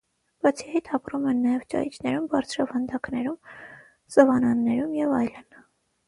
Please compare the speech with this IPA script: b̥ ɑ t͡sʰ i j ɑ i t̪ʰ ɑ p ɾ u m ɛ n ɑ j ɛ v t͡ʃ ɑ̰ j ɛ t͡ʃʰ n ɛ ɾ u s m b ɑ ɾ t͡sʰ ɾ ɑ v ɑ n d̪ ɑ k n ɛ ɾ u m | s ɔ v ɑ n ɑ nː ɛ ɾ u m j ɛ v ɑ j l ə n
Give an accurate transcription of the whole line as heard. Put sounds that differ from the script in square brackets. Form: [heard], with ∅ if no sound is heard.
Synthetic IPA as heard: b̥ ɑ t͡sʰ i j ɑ i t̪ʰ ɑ p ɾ u m ɛ [nː] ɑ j ɛ v t͡ʃ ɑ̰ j [i] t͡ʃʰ n ɛ ɾ u [∅] m b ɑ ɾ t͡sʰ ɾ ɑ v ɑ n d̪ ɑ k n ɛ ɾ u m | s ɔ v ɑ n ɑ nː ɛ ɾ u m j ɛ v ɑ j l ə n